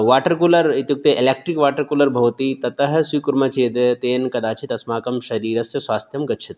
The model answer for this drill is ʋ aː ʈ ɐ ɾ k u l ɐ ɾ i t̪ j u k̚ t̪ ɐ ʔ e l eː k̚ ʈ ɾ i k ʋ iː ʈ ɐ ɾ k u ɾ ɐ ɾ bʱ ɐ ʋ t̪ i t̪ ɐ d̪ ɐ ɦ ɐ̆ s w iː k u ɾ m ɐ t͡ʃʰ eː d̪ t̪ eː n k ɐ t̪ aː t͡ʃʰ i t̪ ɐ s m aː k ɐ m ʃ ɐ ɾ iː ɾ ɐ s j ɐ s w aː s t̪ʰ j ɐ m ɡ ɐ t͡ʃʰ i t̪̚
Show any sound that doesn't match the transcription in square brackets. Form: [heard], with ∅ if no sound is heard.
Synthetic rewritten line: ʋ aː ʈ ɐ ɾ k u l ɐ ɾ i t̪ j u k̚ t̪ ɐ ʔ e l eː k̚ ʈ ɾ i k ʋ [aː] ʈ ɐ ɾ k u [l] ɐ ɾ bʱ ɐ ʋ t̪ i t̪ ɐ [t̪] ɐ ɦ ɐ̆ s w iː k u ɾ m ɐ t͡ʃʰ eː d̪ t̪ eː n k ɐ [d̪] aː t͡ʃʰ i t̪ ɐ s m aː k ɐ m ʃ ɐ ɾ iː ɾ ɐ s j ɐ s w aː s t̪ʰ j ɐ m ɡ ɐ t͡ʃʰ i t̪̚

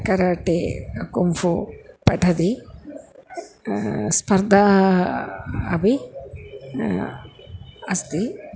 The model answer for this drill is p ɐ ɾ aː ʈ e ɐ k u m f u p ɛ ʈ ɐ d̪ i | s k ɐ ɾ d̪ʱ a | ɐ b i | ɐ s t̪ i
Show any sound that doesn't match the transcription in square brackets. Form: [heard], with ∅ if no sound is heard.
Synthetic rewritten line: [k] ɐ ɾ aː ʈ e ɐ k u m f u p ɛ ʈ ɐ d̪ i | s [p] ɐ ɾ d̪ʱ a | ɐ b i | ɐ s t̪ i

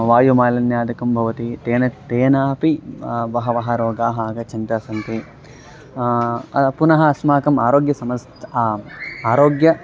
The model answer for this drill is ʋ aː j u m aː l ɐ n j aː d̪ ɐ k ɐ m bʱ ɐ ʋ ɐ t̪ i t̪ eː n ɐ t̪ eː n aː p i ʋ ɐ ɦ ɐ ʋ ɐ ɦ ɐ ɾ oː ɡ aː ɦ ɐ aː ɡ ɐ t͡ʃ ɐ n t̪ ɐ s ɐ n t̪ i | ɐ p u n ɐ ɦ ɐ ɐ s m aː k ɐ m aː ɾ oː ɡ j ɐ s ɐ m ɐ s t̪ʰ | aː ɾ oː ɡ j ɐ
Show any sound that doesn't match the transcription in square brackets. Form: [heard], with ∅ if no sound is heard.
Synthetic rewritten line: ʋ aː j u m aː l ɐ n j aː d̪ ɐ k ɐ m bʱ ɐ ʋ ɐ t̪ i t̪ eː n ɐ t̪ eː n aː p i ʋ ɐ ɦ ɐ ʋ ɐ ɦ ɐ ɾ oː ɡ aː ɦ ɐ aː ɡ ɐ t͡ʃ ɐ n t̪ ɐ s ɐ n t̪ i | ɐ p u n ɐ ɦ ɐ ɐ s m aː k ɐ m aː ɾ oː ɡ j ɐ s ɐ m ɐ s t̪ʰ | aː ɾ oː ɡ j ɐ

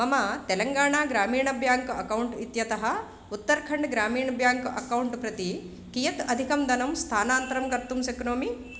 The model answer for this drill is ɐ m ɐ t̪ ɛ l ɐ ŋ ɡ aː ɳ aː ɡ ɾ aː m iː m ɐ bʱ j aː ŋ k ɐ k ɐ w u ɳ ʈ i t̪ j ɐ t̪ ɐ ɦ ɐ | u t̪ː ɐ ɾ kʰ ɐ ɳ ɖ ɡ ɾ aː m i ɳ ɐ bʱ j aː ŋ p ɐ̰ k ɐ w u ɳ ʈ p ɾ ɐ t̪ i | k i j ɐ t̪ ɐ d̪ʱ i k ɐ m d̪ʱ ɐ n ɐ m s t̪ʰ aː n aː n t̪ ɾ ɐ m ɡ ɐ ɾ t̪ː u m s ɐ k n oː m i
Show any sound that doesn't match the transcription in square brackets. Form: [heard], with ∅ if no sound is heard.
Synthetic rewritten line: ɐ m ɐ t̪ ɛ l ɐ ŋ ɡ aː ɳ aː ɡ ɾ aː m iː [ɳ] ɐ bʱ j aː ŋ k ɐ k ɐ w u ɳ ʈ i t̪ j ɐ t̪ ɐ ɦ ɐ | u t̪ː ɐ ɾ kʰ ɐ ɳ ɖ ɡ ɾ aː m [iː] ɳ ɐ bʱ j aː ŋ [k] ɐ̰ k ɐ w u ɳ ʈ p ɾ ɐ t̪ i | k i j ɐ t̪ ɐ d̪ʱ i k ɐ m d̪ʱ ɐ n ɐ m s t̪ʰ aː n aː n t̪ ɾ ɐ m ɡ ɐ ɾ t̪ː u m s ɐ k n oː m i

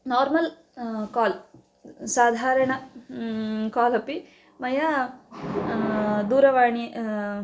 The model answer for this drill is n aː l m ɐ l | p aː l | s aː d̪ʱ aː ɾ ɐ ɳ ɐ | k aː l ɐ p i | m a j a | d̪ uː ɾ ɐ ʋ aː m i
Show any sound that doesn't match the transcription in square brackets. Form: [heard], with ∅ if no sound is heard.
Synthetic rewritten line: n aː [ɾ] m ɐ l | [k] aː l | s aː d̪ʱ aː ɾ ɐ ɳ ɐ | k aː l ɐ p i | m [ɐ] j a | d̪ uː ɾ ɐ ʋ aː [ɳ] i

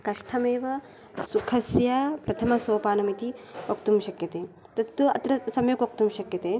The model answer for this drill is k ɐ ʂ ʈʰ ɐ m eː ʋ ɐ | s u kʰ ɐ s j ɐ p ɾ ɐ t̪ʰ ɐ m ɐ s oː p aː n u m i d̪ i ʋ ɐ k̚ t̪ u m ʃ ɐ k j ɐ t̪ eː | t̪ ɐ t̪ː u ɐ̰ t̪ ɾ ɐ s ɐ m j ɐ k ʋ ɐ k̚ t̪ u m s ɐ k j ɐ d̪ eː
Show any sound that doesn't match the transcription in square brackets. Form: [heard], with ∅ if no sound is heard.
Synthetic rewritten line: k ɐ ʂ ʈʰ ɐ m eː ʋ ɐ | s u kʰ ɐ s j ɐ p ɾ ɐ t̪ʰ ɐ m ɐ s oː p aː n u m i [t̪] i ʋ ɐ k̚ t̪ u m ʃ ɐ k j ɐ t̪ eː | t̪ ɐ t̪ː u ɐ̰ t̪ ɾ ɐ s ɐ m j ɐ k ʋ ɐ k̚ t̪ u m [ʃ] ɐ k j ɐ [t̪] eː

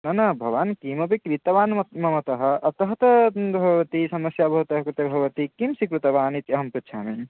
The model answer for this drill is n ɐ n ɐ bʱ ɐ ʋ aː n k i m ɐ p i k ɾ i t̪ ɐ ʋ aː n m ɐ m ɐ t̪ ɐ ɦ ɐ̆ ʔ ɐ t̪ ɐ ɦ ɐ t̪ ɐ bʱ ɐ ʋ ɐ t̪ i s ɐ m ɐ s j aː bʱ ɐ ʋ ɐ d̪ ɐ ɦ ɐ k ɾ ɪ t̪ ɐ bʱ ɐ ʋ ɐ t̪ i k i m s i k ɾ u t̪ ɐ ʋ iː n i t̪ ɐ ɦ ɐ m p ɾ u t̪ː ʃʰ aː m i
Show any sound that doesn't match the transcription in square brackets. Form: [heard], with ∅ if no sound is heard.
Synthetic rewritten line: n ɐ n ɐ bʱ ɐ ʋ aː n k i m ɐ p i k ɾ i t̪ ɐ ʋ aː n m ɐ m ɐ t̪ ɐ ɦ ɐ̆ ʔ ɐ t̪ ɐ ɦ ɐ t̪ ɐ bʱ ɐ ʋ ɐ t̪ i s ɐ m ɐ s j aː bʱ ɐ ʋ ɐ [t̪] ɐ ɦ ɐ k ɾ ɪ t̪ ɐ bʱ ɐ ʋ ɐ t̪ i k i m s i k ɾ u t̪ ɐ ʋ [aː] n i t̪ ɐ ɦ ɐ m p ɾ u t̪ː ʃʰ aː m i

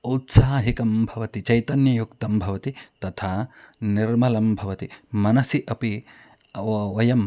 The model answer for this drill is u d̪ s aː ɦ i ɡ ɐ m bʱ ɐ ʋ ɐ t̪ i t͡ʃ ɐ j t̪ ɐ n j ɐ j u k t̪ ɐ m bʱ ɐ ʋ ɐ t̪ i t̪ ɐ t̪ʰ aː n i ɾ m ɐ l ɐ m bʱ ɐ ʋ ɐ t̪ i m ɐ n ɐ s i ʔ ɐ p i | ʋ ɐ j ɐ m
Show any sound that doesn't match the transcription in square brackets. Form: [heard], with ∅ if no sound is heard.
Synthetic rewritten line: u [t̪] s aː ɦ i [k] ɐ m bʱ ɐ ʋ ɐ t̪ i t͡ʃ ɐ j t̪ ɐ n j ɐ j u k t̪ ɐ m bʱ ɐ ʋ ɐ t̪ i t̪ ɐ t̪ʰ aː n i ɾ m ɐ l ɐ m bʱ ɐ ʋ ɐ t̪ i m ɐ n ɐ s i ʔ ɐ p i | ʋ ɐ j ɐ m

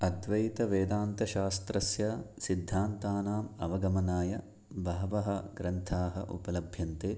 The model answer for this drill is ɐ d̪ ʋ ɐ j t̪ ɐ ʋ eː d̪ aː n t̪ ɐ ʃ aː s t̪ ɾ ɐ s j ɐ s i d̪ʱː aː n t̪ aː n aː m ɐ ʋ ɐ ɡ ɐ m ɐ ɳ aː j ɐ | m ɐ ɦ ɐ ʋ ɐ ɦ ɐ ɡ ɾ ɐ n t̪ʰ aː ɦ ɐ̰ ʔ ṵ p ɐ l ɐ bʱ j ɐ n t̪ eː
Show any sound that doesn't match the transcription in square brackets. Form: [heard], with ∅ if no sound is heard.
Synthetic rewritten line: ɐ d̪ ʋ ɐ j t̪ ɐ ʋ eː d̪ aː n t̪ ɐ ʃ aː s t̪ ɾ ɐ s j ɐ s i d̪ʱː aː n t̪ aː n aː m ɐ ʋ ɐ ɡ ɐ m ɐ [n] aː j ɐ | [b] ɐ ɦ ɐ ʋ ɐ ɦ ɐ ɡ ɾ ɐ n t̪ʰ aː ɦ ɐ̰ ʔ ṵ p ɐ l ɐ bʱ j ɐ n t̪ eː

